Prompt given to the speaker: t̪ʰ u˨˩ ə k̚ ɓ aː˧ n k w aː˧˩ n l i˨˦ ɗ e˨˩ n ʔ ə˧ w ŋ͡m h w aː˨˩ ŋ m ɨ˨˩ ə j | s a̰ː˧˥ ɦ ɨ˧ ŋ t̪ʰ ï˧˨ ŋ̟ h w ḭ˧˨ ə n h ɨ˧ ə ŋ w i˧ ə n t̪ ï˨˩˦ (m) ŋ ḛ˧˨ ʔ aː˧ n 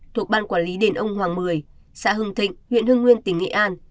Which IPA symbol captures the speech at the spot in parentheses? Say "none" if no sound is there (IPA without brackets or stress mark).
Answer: ŋ